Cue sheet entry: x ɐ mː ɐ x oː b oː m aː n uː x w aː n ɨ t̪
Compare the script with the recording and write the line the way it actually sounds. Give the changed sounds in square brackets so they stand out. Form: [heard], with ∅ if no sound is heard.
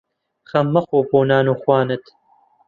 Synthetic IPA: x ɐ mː ɐ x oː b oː [n] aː n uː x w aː n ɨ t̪